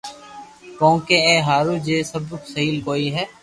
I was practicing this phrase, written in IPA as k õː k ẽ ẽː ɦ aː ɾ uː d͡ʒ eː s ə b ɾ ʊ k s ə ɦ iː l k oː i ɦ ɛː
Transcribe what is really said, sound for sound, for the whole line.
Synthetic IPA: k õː k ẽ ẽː ɦ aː ɾ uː d͡ʒ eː s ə b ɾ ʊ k s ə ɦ iː l k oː i ɦ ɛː